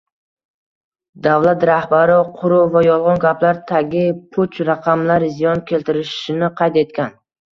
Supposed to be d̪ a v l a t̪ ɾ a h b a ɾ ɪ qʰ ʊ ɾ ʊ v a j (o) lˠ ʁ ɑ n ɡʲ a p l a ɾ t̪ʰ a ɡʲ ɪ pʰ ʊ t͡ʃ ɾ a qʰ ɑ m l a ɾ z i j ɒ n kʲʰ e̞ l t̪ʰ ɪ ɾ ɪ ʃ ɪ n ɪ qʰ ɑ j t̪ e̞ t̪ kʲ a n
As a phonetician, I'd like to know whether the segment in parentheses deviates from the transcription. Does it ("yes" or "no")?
yes